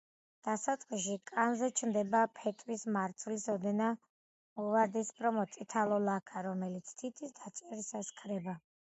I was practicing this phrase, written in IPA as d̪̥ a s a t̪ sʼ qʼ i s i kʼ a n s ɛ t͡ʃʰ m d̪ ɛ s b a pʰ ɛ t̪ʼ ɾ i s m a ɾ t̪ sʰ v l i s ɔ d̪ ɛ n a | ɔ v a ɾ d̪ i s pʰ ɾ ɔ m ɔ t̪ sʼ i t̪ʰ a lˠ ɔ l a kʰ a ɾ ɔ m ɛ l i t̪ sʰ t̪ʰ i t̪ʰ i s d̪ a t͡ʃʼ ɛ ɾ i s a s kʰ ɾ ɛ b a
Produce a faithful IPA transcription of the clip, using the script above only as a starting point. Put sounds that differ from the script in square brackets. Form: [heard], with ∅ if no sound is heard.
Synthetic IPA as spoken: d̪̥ a s a t̪ sʼ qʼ i [ʃ] i kʼ a n [z] ɛ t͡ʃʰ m d̪ ɛ [∅] b a pʰ ɛ t̪ʼ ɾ i s m a ɾ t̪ sʰ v l i s ɔ d̪ ɛ n a | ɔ v a ɾ d̪ i s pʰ ɾ ɔ m ɔ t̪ sʼ i t̪ʰ a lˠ ɔ l a kʰ a ɾ ɔ m ɛ l i t̪ sʰ t̪ʰ i t̪ʰ i s d̪ a t͡ʃʼ ɛ ɾ i s a s kʰ ɾ ɛ b a

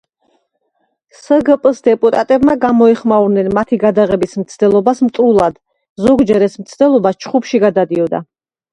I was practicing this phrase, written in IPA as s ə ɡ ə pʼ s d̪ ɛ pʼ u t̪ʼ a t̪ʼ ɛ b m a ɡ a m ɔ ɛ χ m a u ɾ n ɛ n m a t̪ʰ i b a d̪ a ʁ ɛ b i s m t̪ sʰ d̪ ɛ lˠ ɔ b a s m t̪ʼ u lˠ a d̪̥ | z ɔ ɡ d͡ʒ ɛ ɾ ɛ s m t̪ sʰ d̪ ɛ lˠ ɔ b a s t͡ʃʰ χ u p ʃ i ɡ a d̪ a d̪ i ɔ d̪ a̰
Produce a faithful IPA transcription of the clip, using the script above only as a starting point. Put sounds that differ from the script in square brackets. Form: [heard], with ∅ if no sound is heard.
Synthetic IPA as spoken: s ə ɡ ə pʼ s d̪ ɛ pʼ u t̪ʼ a t̪ʼ ɛ b m a ɡ a m ɔ ɛ χ m a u ɾ n ɛ n m a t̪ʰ i [ɡ] a d̪ a ʁ ɛ b i s m t̪ sʰ d̪ ɛ lˠ ɔ b a s m t̪ʼ u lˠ a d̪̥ | z ɔ ɡ d͡ʒ ɛ ɾ ɛ s m t̪ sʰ d̪ ɛ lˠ ɔ b a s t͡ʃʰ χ u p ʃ i ɡ a d̪ a d̪ i ɔ d̪ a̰

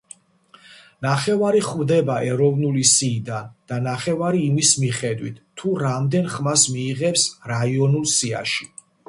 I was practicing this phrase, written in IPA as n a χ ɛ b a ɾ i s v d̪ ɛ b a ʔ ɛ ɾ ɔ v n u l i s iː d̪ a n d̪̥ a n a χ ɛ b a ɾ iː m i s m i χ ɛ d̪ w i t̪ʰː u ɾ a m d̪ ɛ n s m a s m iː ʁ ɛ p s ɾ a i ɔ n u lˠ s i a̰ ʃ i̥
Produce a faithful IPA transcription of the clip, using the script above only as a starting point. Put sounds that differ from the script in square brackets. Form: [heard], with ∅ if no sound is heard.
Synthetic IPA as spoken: n a χ ɛ [v] a ɾ i [χ] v d̪ ɛ b a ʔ ɛ ɾ ɔ v n u l i s iː d̪ a n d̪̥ a n a χ ɛ [v] a ɾ iː m i s m i χ ɛ d̪ w i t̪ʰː u ɾ a m d̪ ɛ n [χ] m a s m iː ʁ ɛ p s ɾ a i ɔ n u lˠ s i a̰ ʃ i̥

